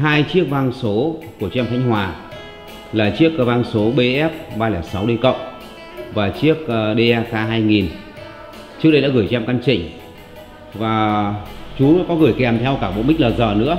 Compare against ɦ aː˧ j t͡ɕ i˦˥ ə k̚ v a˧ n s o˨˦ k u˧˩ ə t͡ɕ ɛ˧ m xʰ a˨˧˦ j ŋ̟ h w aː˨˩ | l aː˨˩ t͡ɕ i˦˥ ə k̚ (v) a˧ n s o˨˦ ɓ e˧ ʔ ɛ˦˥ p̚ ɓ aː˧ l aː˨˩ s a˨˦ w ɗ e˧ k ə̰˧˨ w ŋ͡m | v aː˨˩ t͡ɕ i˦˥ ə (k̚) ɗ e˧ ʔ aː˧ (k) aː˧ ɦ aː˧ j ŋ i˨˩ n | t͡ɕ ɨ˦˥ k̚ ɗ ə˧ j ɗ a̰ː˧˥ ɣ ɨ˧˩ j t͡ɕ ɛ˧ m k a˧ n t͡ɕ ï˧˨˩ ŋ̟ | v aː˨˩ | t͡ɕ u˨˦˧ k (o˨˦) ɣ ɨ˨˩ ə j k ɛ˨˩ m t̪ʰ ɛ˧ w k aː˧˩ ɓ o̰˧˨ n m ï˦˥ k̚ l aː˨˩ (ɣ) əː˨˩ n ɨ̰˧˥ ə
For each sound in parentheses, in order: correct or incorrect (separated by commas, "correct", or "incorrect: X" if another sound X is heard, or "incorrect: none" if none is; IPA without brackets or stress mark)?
correct, correct, correct, incorrect: ɔ˨˦, incorrect: z